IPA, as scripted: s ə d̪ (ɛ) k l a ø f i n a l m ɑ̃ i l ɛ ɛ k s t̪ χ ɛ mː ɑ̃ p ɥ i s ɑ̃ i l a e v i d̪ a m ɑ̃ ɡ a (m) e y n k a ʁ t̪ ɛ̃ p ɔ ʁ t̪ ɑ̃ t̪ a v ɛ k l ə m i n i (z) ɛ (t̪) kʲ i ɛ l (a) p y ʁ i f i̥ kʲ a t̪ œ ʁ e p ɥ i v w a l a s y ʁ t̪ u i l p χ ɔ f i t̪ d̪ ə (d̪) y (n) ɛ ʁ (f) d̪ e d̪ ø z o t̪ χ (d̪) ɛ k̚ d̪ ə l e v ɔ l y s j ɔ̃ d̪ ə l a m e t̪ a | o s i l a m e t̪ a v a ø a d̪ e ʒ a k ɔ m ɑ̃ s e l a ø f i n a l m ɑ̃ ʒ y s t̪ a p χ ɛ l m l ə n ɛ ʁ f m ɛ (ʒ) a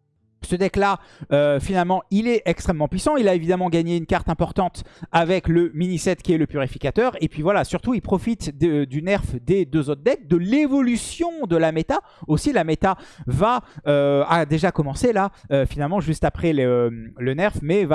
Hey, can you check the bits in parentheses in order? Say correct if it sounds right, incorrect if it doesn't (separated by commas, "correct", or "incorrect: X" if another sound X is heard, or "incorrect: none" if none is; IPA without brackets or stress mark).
correct, incorrect: ɲ, incorrect: s, correct, incorrect: ə, correct, correct, correct, correct, incorrect: v